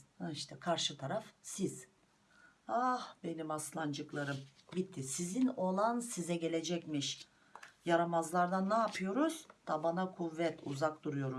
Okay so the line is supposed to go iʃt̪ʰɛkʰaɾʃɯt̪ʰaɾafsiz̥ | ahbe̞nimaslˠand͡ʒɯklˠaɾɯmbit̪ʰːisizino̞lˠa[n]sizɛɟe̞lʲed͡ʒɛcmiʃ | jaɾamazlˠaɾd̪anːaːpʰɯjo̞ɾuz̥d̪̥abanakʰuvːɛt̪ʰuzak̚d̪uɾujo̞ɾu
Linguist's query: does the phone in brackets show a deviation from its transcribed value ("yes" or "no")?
no